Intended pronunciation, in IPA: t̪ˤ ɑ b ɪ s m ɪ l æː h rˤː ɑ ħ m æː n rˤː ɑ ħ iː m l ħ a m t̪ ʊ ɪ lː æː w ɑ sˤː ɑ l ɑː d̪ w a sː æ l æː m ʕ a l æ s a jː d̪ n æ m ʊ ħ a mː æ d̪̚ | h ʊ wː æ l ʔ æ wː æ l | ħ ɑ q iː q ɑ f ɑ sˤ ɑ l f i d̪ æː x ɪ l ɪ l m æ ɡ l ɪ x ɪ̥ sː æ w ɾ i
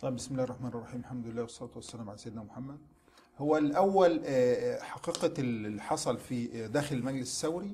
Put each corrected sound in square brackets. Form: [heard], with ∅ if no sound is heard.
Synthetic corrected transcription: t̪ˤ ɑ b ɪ s m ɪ l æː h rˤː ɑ ħ m æː n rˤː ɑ ħ iː m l ħ a m [d̪] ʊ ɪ lː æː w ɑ sˤː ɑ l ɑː [t̪] w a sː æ l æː m ʕ a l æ s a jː d̪ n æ m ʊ ħ a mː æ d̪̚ | h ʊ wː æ l ʔ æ wː æ l | ħ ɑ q iː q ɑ [ħ] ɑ sˤ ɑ l f i d̪ æː x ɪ l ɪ l m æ ɡ l ɪ [s] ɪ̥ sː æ w ɾ i